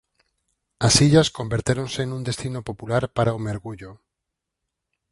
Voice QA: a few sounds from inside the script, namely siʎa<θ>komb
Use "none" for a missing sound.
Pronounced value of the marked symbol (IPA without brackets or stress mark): s